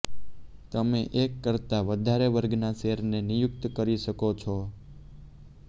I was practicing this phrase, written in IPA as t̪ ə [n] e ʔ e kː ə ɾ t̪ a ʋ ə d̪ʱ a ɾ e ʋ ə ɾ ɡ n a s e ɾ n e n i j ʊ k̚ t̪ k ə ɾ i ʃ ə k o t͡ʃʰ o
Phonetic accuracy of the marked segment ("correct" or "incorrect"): incorrect